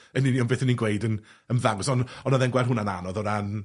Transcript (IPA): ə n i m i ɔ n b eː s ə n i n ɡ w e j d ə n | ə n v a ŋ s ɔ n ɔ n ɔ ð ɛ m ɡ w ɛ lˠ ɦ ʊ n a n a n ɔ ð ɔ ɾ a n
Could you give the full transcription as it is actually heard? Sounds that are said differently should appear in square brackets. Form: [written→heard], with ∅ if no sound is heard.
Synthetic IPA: ə n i [m→n] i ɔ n b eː [s→θ] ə n i n ɡ w e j d ə n | ə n v a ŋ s ɔ n ɔ n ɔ ð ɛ [m→n] ɡ w ɛ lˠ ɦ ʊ n a n a n ɔ ð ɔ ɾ a n

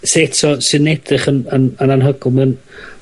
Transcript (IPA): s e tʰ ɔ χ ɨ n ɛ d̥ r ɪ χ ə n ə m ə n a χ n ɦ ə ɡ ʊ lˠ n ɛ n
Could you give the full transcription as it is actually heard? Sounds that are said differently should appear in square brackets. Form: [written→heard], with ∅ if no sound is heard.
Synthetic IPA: s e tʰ ɔ [χ→s] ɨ n ɛ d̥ r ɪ χ ə n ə [m→n] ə n a [χ→∅] n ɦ ə ɡ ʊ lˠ [n→m] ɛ n

